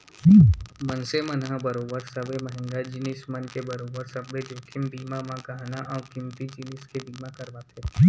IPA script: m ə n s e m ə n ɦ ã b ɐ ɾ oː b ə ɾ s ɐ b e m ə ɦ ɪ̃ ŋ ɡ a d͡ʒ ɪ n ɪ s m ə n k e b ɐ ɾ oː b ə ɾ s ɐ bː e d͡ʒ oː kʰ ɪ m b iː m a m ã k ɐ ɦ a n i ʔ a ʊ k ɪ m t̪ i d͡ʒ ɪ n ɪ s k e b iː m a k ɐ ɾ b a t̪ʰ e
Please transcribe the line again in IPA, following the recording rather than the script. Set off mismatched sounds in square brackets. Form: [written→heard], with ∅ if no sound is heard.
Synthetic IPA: m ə n s e m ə n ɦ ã b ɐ ɾ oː b ə ɾ s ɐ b e m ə ɦ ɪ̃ ŋ ɡ a d͡ʒ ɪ n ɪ s m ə n k e b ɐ ɾ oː b ə ɾ s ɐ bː e d͡ʒ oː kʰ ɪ m b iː m a m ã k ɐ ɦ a n [i→a] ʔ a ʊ k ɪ m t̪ i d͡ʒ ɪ n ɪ s k e b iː m a k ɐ ɾ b a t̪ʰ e